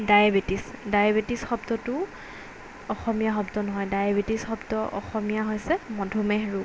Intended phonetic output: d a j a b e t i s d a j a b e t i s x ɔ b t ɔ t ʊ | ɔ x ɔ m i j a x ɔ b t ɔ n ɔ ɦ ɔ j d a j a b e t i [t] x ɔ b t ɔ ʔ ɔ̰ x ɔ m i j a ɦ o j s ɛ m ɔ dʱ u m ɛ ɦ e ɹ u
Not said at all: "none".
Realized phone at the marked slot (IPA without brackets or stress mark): s